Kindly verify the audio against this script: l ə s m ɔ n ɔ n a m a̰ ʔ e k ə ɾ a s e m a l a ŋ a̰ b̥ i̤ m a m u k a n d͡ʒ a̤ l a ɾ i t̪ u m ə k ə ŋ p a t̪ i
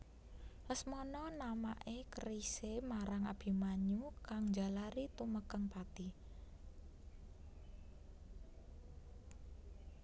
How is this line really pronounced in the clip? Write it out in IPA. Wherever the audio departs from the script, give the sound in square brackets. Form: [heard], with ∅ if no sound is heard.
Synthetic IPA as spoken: l ə s m ɔ n ɔ n a m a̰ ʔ e k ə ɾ [i] s e m a [ɾ] a ŋ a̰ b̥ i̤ m a [ɲ] u k a [ŋ] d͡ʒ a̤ l a ɾ i t̪ u m ə k ə ŋ p a t̪ i